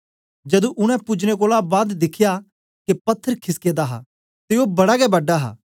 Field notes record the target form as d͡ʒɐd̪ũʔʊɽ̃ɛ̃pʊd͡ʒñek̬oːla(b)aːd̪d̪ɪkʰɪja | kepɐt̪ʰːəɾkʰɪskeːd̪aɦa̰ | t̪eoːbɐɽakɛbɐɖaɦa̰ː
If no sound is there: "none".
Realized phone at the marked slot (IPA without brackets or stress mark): b